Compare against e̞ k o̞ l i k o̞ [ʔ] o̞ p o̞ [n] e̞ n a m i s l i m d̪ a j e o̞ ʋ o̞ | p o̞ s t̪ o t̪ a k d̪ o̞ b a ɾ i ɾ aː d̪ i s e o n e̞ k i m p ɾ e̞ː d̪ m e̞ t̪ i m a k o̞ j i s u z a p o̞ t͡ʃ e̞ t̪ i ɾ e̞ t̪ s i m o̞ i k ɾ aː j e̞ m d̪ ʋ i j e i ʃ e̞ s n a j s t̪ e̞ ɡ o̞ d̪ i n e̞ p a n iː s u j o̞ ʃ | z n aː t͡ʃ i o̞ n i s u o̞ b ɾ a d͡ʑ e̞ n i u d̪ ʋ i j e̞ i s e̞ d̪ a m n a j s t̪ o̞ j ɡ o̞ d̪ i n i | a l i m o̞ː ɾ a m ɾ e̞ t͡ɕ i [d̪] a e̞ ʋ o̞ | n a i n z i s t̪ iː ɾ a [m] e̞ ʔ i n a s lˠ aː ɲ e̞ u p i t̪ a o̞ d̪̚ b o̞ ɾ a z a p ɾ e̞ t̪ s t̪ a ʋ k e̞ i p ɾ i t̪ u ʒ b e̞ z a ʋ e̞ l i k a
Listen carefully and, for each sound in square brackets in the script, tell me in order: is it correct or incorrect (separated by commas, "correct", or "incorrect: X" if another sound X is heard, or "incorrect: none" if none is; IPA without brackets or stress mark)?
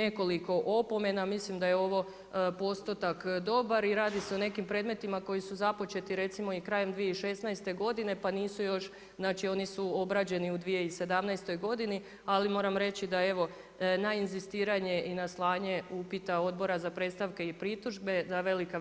correct, incorrect: m, correct, incorrect: ɲ